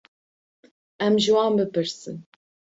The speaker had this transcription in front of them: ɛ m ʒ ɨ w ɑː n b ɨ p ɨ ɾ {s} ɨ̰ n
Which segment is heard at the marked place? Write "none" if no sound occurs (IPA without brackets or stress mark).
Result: s